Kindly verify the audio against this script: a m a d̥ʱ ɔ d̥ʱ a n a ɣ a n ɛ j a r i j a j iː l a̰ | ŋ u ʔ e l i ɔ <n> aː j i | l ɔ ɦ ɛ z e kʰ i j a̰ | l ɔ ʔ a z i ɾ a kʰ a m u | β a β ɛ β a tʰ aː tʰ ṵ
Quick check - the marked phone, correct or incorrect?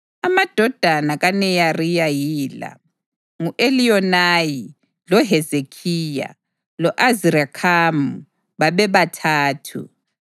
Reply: correct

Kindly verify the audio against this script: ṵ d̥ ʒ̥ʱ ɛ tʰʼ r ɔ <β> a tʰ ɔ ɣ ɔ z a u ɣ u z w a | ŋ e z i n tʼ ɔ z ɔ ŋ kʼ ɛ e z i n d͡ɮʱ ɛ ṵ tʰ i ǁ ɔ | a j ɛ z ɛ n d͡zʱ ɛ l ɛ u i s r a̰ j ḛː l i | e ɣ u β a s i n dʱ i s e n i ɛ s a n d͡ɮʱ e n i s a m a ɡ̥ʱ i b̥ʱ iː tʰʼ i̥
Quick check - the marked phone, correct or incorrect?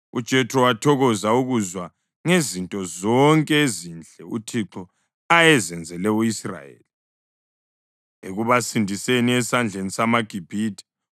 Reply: incorrect: w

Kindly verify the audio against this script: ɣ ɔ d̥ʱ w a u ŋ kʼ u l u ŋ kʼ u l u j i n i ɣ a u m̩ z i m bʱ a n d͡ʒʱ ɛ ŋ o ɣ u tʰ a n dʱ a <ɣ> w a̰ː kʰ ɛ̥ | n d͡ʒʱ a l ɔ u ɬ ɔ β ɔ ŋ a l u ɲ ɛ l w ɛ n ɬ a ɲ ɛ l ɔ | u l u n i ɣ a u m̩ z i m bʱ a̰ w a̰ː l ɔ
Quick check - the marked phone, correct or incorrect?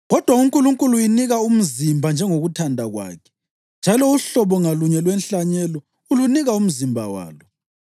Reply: correct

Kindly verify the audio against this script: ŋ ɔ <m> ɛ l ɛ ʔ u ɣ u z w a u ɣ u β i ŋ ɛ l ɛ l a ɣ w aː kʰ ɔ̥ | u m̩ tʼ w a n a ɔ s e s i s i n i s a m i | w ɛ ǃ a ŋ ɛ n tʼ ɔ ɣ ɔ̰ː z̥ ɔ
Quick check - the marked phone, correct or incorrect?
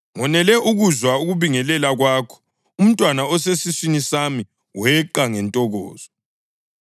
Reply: incorrect: n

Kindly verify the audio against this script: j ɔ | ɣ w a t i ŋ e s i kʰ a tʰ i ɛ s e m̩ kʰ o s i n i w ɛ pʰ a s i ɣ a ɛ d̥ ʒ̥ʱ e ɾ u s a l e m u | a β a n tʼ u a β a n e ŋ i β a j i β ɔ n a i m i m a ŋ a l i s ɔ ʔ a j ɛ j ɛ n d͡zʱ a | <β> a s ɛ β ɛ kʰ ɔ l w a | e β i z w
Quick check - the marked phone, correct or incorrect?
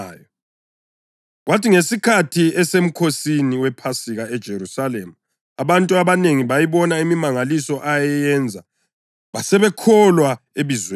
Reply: correct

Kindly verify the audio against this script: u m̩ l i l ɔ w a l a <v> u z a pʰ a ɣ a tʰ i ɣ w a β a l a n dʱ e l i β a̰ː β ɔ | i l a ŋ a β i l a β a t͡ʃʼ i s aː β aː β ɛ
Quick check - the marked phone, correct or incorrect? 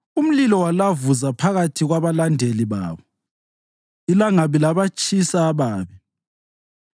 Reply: correct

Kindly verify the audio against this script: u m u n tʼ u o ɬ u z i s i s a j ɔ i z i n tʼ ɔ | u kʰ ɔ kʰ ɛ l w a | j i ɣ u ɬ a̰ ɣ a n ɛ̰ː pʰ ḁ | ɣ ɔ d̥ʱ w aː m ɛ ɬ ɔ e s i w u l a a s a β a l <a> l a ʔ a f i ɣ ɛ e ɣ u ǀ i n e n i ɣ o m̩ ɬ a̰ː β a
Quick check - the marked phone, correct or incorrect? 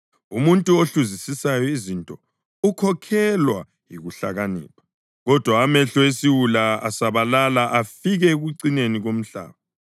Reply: correct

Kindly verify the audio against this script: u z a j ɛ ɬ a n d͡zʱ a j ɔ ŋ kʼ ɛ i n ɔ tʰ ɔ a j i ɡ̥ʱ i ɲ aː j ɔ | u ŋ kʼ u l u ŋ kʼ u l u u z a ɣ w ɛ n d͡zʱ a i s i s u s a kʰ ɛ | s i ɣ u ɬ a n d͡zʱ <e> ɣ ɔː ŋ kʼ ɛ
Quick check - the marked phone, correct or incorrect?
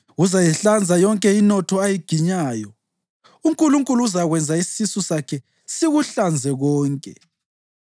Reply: incorrect: ɛ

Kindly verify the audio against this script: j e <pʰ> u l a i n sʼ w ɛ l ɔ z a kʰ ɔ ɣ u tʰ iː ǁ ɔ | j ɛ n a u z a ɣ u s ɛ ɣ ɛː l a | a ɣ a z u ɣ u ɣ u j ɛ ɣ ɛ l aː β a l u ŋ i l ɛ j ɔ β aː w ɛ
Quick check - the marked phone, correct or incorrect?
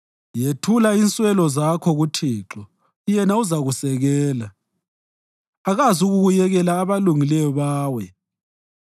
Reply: incorrect: tʰ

